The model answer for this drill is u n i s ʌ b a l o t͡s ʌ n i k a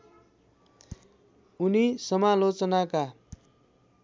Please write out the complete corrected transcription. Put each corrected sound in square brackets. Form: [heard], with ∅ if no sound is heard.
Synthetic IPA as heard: u n i s ʌ [m] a l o t͡s ʌ n [a] k a